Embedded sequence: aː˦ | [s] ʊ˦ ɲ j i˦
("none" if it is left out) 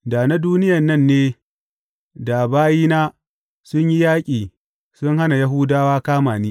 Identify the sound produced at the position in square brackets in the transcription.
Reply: s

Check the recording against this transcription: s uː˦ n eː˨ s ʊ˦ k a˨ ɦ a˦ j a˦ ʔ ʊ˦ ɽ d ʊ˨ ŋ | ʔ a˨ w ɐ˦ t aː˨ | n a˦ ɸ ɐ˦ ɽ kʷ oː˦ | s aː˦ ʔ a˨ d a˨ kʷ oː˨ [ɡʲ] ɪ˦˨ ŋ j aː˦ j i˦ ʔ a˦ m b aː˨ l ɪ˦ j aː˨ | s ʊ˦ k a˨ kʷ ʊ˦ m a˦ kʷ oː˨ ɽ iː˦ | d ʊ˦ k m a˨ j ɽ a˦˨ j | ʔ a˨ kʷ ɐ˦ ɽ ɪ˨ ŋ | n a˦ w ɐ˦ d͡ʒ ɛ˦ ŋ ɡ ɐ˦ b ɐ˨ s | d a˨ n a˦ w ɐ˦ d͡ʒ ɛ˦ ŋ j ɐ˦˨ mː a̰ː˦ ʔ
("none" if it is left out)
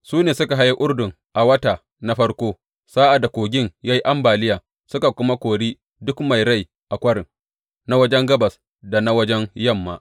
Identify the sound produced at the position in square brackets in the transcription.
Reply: ɡʲ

